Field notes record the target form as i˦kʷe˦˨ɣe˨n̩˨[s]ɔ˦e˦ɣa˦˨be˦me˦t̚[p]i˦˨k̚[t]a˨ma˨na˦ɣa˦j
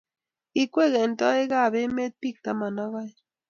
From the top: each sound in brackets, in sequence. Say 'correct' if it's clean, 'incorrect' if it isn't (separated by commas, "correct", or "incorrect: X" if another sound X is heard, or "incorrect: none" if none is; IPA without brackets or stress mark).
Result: incorrect: t, correct, correct